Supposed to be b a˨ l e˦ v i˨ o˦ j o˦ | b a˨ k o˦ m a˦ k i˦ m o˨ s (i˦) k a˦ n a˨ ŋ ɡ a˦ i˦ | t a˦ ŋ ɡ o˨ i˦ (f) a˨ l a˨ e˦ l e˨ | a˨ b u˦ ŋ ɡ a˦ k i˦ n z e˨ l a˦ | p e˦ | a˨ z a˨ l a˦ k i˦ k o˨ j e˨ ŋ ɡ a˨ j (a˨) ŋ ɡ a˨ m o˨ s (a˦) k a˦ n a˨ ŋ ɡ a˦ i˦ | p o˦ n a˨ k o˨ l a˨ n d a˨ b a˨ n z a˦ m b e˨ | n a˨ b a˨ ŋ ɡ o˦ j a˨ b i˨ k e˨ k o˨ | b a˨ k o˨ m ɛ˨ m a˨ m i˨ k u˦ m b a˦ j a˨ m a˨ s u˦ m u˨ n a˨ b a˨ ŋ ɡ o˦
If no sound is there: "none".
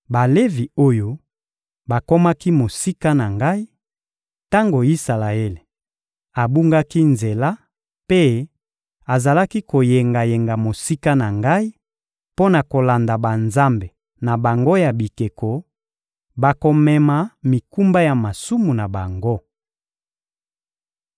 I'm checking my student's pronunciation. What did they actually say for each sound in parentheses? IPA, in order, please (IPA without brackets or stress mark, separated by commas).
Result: i˦, s, e˨, i˦